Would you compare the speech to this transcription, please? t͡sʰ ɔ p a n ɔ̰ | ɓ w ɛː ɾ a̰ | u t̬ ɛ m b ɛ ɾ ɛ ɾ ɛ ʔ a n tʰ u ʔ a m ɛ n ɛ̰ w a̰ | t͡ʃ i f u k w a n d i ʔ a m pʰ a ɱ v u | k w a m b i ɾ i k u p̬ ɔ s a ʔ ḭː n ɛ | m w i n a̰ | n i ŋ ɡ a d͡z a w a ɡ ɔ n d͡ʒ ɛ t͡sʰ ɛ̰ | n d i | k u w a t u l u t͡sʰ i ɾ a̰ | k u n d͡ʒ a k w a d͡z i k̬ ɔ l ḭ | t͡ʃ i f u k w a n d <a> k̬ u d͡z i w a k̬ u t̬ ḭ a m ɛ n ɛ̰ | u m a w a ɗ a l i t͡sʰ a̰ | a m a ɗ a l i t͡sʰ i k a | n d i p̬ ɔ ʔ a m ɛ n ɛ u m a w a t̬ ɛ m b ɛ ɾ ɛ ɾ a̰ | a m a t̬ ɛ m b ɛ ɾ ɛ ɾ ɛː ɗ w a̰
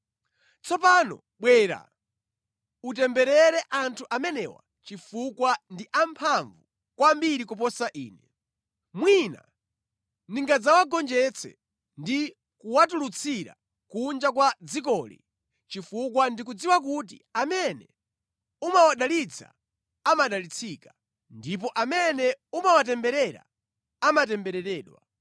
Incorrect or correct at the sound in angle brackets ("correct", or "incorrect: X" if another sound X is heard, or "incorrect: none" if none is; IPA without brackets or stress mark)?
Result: incorrect: i